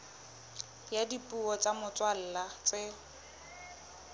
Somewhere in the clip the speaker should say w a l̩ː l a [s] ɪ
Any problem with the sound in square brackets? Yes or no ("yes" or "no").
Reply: yes